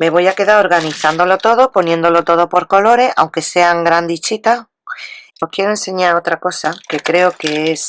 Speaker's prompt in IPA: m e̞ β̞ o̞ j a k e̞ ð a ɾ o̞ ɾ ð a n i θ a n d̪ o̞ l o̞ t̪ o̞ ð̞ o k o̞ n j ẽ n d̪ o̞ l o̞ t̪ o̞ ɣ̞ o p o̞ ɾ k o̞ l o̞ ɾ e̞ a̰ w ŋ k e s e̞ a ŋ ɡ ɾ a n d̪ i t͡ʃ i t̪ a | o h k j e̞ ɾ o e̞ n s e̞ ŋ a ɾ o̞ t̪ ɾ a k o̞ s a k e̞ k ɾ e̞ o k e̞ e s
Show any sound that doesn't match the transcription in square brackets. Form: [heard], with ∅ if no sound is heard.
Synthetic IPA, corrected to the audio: m e̞ β̞ o̞ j a k e̞ ð a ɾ o̞ ɾ [ɣ] a n i θ a n d̪ o̞ l o̞ t̪ o̞ ð̞ o [p] o̞ n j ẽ n d̪ o̞ l o̞ t̪ o̞ [ð̞] o p o̞ ɾ k o̞ l o̞ ɾ e̞ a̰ w ŋ k e s e̞ a ŋ ɡ ɾ a n d̪ i t͡ʃ i t̪ a | o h k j e̞ ɾ o e̞ n s e̞ [ɲ] a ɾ o̞ t̪ ɾ a k o̞ s a k e̞ k ɾ e̞ o k e̞ e s

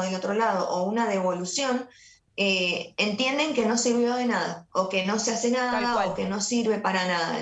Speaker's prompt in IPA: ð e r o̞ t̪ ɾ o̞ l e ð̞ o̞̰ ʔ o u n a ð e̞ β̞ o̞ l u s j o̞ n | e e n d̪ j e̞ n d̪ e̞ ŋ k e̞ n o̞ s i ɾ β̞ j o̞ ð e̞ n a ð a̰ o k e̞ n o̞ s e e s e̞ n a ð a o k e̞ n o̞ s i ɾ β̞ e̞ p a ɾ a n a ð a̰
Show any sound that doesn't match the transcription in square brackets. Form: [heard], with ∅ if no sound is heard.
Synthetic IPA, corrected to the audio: ð e [l] o̞ t̪ ɾ o̞ l [a] ð̞ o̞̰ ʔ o u n a ð e̞ β̞ o̞ l u s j o̞ n | e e n [t̪] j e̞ n d̪ e̞ ŋ k e̞ n o̞ s i ɾ β̞ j o̞ ð e̞ n a ð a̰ o k e̞ n o̞ s e [a] s e̞ n a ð a o k e̞ n o̞ s i ɾ β̞ e̞ p a ɾ a n a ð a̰

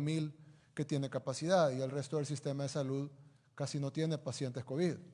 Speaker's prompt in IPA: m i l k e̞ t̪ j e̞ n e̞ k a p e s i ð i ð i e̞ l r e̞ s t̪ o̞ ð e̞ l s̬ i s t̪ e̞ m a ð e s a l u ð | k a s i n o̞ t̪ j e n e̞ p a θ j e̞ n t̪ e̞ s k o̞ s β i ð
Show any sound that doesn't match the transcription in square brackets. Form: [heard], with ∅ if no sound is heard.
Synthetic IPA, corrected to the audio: m i l k e̞ t̪ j e̞ n e̞ k a p [a] s i ð [a] ð i e̞ l r e̞ s t̪ o̞ ð e̞ l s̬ i s t̪ e̞ m a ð e s a l u ð | k a s i n o̞ t̪ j e n e̞ p a [s] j e̞ n t̪ e̞ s k o̞ [∅] β i ð

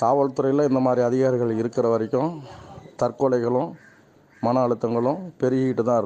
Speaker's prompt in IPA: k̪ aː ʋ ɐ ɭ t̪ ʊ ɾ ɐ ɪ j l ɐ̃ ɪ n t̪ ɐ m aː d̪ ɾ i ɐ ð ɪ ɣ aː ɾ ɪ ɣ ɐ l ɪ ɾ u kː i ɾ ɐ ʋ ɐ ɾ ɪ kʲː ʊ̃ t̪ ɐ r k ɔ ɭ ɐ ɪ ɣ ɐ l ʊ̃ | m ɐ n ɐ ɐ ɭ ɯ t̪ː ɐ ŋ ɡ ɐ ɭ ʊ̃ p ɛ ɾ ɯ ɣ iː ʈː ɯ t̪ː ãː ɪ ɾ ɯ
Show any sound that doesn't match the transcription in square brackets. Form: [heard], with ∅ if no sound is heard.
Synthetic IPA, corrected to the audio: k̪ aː ʋ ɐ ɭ t̪ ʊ ɾ ɐ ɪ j l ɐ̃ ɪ n [d̪] ɐ m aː d̪ ɾ i ɐ ð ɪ ɣ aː ɾ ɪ ɣ ɐ [ɭ] ɪ ɾ [ɯ] kː [ɪ] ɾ ɐ ʋ ɐ ɾ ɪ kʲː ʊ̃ t̪ ɐ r k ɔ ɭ ɐ ɪ ɣ ɐ [ɭ] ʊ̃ | m ɐ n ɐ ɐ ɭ ɯ t̪ː ɐ ŋ ɡ ɐ ɭ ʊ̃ p ɛ ɾ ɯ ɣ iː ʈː ɯ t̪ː ãː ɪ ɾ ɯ

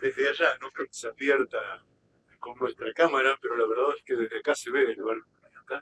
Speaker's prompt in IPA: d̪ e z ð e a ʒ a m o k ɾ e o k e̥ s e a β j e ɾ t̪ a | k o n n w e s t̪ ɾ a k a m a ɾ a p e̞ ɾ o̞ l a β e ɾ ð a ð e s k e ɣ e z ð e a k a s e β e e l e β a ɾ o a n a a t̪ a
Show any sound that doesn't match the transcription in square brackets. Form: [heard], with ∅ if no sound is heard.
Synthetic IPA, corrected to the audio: d̪ e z ð e a ʒ a [n] o k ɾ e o k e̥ s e a β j e ɾ t̪ a | k o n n w e s t̪ ɾ a k a m a ɾ a p e̞ ɾ o̞ l a β e ɾ ð a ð e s k e [ð] e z ð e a k a s e β e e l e β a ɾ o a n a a t̪ a

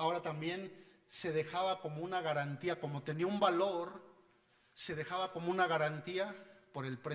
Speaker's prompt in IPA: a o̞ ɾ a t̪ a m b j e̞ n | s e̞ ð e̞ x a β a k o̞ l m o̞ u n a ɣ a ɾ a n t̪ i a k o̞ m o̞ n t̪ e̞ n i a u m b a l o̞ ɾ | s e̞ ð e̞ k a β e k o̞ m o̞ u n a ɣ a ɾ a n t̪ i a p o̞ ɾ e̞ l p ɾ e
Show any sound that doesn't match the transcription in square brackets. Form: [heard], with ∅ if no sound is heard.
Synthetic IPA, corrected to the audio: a o̞ ɾ a t̪ a m b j e̞ n | s e̞ ð e̞ x a β a k o̞ [∅] m o̞ u n a ɣ a ɾ a n t̪ i a k o̞ m o̞ [∅] t̪ e̞ n i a u m b a l o̞ ɾ | s e̞ ð e̞ [x] a β [a] k o̞ m o̞ u n a ɣ a ɾ a n t̪ i a p o̞ ɾ e̞ l p ɾ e

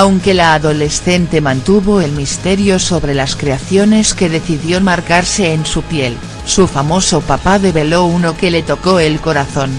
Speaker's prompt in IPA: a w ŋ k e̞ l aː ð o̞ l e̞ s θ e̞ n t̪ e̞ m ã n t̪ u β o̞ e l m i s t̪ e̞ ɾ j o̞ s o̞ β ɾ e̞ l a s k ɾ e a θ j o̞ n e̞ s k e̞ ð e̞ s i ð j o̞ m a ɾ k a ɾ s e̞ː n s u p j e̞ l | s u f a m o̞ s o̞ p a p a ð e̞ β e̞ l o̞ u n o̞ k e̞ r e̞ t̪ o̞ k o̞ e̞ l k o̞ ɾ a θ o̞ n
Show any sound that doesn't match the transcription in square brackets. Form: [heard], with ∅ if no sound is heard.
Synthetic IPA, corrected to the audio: a w ŋ k e̞ l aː ð o̞ l e̞ s θ e̞ n t̪ e̞ m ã n t̪ u β o̞ e l m i s t̪ e̞ ɾ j o̞ s o̞ β ɾ e̞ l a s k ɾ e a θ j o̞ n e̞ s k e̞ ð e̞ [θ] i ð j o̞ m a ɾ k a ɾ s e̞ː n s u p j e̞ l | s u f a m o̞ s o̞ p a p a ð e̞ β e̞ l o̞ u n o̞ k e̞ [l] e̞ t̪ o̞ k o̞ e̞ l k o̞ ɾ a θ o̞ n

